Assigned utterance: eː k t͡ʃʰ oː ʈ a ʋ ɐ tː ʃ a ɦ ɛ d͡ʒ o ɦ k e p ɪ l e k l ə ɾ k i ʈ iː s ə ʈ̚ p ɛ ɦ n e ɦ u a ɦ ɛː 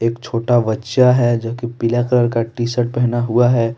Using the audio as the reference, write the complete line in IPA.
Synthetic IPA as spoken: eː k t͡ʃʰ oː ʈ a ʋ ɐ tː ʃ a ɦ ɛ d͡ʒ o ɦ k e p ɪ l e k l ə ɾ k a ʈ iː s ə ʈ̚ p ɛ ɦ n a ɦ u a ɦ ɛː